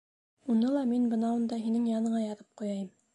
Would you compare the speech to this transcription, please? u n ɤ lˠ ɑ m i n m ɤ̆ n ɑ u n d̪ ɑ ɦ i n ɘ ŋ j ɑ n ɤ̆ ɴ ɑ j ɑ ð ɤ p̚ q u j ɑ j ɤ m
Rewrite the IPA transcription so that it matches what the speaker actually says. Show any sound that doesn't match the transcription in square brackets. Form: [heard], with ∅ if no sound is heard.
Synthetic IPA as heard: u n ɤ lˠ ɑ m i n [b] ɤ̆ n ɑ u n d̪ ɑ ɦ i n ɘ ŋ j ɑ n ɤ̆ ɴ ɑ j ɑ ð ɤ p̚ q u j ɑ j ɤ m

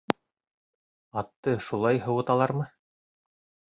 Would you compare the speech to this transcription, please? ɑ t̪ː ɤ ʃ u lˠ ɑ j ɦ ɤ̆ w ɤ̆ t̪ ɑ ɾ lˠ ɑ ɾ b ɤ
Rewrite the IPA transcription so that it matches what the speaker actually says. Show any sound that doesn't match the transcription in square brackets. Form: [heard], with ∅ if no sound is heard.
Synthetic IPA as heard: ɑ t̪ː ɤ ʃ u lˠ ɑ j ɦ ɤ̆ w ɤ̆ t̪ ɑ [∅] lˠ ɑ ɾ [m] ɤ

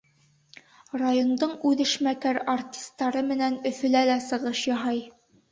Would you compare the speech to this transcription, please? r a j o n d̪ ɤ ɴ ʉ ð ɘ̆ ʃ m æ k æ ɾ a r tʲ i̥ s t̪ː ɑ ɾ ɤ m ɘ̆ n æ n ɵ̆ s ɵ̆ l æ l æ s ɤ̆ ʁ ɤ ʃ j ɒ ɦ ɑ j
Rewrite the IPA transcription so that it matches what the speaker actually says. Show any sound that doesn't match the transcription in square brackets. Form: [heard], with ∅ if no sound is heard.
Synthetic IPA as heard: r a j o n d̪ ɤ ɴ ʉ ð ɘ̆ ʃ m æ k æ ɾ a r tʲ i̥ s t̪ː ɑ ɾ ɤ m ɘ̆ n æ n ɵ̆ [f] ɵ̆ l æ l æ s ɤ̆ ʁ ɤ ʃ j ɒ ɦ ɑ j

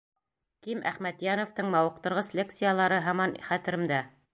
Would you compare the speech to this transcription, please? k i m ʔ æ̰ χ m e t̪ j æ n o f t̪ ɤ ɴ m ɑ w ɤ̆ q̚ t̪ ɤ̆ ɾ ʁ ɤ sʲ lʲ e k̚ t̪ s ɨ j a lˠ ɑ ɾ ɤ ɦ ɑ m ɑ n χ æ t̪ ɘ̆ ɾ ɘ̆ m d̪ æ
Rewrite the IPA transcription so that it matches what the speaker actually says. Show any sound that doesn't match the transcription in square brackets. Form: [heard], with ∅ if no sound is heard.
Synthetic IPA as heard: k i m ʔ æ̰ χ m [æ] t̪ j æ n o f t̪ ɤ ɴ m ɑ w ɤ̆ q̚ t̪ ɤ̆ ɾ ʁ ɤ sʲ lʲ e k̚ t̪ s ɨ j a lˠ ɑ ɾ ɤ ɦ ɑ m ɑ n χ æ t̪ ɘ̆ ɾ ɘ̆ m d̪ æ

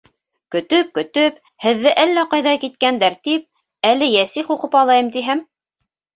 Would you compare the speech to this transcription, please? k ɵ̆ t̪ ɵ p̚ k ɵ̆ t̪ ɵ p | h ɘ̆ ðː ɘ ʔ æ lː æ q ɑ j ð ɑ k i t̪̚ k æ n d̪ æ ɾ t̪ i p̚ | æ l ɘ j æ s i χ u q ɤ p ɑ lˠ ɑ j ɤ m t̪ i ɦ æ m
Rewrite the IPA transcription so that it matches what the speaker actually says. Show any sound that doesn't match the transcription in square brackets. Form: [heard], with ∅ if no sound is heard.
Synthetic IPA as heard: k ɵ̆ t̪ ɵ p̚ k ɵ̆ t̪ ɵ p | h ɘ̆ ðː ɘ ʔ æ lː æ q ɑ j ð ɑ k i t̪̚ k æ n d̪ æ ɾ t̪ i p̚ | æ l ɘ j æ s i χ u q ɤ p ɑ lˠ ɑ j ɤ m t̪ i ɦ æ m

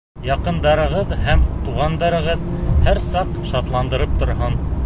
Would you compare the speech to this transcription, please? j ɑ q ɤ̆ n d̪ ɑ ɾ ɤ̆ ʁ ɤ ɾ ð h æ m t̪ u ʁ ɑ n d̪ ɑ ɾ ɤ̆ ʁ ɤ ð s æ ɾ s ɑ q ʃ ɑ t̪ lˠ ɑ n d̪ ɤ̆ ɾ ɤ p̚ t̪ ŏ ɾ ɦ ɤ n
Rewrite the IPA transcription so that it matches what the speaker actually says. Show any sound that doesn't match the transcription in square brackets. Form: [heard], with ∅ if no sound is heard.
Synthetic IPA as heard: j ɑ q ɤ̆ n d̪ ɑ ɾ ɤ̆ ʁ ɤ [∅] ð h æ m t̪ u ʁ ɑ n d̪ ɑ ɾ ɤ̆ ʁ ɤ ð [h] æ ɾ s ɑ q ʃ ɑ t̪ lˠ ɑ n d̪ ɤ̆ ɾ ɤ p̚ t̪ ŏ ɾ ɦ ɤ n

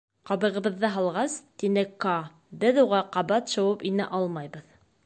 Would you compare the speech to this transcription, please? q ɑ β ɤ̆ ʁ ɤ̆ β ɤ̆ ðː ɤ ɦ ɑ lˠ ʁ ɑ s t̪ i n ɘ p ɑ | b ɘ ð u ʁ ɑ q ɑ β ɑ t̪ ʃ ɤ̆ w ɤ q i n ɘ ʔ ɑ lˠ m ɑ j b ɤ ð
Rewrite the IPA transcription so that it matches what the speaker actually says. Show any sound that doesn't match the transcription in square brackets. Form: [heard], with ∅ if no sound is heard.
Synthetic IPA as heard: q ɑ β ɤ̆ ʁ ɤ̆ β ɤ̆ ðː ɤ ɦ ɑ lˠ ʁ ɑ s t̪ i n ɘ [k] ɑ | b ɘ ð u ʁ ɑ q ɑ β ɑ t̪ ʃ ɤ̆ w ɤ [p] i n ɘ ʔ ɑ lˠ m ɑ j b ɤ ð

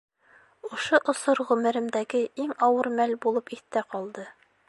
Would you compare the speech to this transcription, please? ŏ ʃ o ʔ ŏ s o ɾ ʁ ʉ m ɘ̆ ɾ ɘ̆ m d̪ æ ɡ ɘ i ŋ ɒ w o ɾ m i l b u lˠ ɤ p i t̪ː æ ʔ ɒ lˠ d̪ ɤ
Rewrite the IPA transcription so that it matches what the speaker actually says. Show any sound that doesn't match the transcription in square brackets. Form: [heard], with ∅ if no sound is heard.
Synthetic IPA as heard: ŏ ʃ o ʔ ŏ s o ɾ ʁ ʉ m ɘ̆ ɾ ɘ̆ m d̪ æ ɡ ɘ i ŋ ɒ w [ɤ] ɾ m [æ] l b u lˠ ɤ p i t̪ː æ [q] ɒ lˠ d̪ ɤ

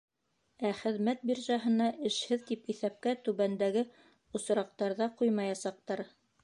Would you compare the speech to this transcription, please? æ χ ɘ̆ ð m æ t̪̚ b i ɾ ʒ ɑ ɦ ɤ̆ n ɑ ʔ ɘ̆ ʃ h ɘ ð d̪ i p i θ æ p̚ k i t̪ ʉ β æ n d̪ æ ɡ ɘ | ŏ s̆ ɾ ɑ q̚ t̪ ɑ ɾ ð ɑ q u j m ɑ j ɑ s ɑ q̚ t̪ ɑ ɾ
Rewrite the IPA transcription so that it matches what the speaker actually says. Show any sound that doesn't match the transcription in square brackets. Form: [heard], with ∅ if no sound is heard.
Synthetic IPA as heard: æ χ ɘ̆ ð m æ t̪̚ b i ɾ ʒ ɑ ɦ ɤ̆ n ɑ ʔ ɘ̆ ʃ h ɘ ð [t̪] i p i θ æ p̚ k [æ] t̪ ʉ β æ n d̪ æ ɡ ɘ | ŏ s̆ ɾ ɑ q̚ t̪ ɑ ɾ ð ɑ q u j m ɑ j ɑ s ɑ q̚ t̪ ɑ ɾ

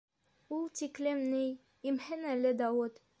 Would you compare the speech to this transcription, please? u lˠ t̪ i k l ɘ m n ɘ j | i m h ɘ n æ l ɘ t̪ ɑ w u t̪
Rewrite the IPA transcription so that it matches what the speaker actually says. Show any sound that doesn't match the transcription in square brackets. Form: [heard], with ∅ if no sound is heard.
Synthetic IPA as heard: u lˠ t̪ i k l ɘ m n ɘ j | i m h ɘ n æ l ɘ [d̪] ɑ w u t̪

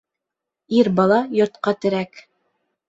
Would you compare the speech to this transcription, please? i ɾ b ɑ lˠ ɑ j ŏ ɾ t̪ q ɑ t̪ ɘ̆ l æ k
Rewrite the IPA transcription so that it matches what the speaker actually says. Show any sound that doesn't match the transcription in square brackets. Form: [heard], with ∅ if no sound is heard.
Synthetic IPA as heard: i ɾ b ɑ lˠ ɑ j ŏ ɾ t̪ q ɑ t̪ ɘ̆ [ɾ] æ k

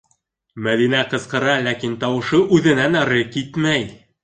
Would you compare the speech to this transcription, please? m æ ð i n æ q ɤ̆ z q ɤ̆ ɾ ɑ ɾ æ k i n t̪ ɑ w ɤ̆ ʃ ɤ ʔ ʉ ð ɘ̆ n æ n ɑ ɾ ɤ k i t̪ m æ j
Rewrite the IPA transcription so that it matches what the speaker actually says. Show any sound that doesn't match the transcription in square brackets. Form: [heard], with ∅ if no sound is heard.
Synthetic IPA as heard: m æ ð i n æ q ɤ̆ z q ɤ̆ ɾ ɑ [l] æ k i n t̪ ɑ w ɤ̆ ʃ ɤ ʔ ʉ ð ɘ̆ n æ n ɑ ɾ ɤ k i t̪ m æ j

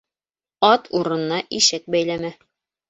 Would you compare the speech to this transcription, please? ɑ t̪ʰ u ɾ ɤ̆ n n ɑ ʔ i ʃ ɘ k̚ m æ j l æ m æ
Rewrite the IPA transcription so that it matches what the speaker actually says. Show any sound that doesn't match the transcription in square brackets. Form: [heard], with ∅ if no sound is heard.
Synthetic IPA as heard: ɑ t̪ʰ u ɾ ɤ̆ n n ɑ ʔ i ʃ ɘ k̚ [b] æ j l æ m æ

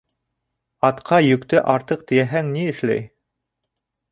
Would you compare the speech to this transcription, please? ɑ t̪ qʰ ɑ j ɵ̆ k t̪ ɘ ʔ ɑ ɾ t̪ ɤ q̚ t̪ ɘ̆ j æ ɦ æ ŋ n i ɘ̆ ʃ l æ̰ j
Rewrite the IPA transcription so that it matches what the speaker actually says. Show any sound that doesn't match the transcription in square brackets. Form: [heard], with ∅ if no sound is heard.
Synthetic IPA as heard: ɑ t̪ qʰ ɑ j ɵ̆ k t̪ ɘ ʔ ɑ ɾ t̪ ɤ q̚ t̪ ɘ̆ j æ ɦ æ ŋ n i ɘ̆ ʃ l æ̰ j

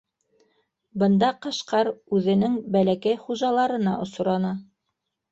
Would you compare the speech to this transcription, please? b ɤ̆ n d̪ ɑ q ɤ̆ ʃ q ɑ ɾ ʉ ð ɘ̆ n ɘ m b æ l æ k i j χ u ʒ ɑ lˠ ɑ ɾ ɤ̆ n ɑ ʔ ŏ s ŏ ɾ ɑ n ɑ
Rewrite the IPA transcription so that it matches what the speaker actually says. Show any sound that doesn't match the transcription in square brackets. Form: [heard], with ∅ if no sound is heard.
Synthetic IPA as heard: b ɤ̆ n d̪ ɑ q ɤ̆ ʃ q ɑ ɾ ʉ ð ɘ̆ n ɘ [ŋ] b æ l æ k [æ] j χ u ʒ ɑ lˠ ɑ ɾ ɤ̆ n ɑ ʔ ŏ s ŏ ɾ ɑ n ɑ

